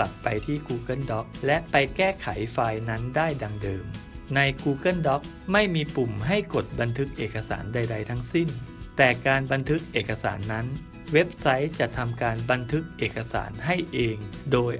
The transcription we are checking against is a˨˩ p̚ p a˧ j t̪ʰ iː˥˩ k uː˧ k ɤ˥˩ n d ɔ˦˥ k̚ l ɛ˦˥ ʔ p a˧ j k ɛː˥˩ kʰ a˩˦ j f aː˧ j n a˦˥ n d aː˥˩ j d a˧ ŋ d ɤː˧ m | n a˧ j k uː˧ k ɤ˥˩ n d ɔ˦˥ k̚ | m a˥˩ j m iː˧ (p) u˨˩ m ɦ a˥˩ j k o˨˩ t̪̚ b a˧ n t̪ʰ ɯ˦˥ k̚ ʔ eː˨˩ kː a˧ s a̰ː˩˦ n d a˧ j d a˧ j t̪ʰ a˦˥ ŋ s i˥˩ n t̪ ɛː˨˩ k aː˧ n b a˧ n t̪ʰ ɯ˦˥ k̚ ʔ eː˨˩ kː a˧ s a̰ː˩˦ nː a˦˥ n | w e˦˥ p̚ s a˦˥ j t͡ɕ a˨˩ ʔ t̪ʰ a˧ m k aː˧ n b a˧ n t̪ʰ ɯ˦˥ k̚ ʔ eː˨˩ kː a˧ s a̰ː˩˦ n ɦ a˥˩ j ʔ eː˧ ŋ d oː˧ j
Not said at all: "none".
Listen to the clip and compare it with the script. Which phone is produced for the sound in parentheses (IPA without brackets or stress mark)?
p